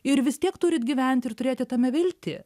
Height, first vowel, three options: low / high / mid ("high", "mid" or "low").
high